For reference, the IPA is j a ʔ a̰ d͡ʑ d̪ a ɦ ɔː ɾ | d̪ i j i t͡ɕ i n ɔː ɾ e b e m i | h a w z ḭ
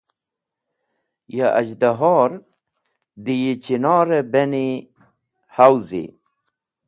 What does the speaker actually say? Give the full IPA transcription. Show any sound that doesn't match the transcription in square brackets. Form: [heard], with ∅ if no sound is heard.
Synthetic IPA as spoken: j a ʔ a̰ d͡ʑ d̪ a ɦ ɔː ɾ | d̪ i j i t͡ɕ i n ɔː ɾ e b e [n] i | h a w z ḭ